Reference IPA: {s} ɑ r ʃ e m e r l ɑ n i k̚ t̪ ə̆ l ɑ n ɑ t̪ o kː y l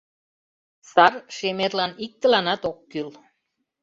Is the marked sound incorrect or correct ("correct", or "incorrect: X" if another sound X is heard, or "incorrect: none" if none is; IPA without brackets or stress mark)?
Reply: correct